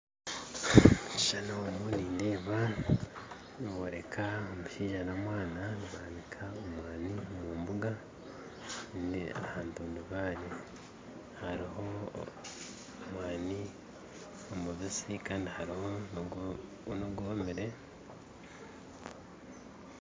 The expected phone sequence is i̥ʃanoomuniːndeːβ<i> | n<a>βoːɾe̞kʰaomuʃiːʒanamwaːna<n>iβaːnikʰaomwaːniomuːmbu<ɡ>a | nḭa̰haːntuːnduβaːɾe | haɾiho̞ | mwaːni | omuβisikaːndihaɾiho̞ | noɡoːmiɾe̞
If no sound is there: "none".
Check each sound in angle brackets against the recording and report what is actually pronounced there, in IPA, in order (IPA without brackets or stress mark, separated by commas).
a, i, n, ɡ